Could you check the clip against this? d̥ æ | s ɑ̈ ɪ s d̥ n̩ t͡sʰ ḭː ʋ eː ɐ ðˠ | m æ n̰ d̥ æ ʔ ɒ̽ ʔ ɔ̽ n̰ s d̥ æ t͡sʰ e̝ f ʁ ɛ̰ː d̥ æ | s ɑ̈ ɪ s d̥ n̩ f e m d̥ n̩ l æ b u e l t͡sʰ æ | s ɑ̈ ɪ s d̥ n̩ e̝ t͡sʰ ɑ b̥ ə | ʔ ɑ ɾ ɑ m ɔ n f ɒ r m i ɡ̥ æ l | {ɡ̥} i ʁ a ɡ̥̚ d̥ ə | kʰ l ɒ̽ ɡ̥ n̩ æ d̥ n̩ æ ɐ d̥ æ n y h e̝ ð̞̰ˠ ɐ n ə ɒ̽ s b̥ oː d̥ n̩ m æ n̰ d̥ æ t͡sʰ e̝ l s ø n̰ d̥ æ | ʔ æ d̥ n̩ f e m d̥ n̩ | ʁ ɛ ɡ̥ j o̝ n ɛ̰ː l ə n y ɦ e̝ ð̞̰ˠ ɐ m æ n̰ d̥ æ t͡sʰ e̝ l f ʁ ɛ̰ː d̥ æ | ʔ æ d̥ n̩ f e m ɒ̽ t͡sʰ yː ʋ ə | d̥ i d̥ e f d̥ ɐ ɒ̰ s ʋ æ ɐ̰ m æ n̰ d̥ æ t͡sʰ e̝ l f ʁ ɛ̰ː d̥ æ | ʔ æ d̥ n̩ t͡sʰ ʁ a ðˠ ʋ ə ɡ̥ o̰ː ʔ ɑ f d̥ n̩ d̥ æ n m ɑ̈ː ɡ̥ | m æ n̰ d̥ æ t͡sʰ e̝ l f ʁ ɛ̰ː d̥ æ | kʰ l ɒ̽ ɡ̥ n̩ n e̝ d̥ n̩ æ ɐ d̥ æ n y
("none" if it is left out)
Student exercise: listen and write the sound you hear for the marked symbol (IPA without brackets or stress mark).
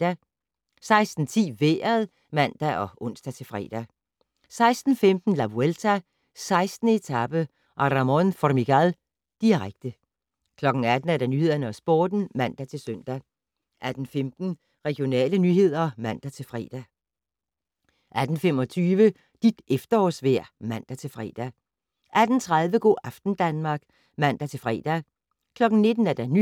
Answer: d̥